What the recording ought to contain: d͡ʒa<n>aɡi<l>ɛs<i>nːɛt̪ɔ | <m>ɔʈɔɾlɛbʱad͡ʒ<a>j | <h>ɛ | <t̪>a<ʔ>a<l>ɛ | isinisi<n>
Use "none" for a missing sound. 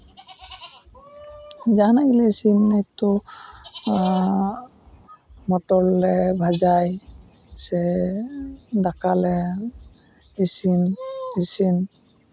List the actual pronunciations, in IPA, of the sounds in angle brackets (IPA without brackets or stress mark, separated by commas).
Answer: n, l, i, m, a, s, d̪, k, l, n